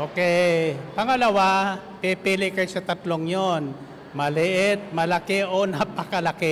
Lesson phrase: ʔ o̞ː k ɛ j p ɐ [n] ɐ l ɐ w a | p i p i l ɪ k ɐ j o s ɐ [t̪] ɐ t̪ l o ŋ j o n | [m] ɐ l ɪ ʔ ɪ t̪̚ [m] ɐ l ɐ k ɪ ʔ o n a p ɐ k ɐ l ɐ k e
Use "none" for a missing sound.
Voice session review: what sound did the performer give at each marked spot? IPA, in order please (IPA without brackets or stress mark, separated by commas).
ŋ, t̪, m, m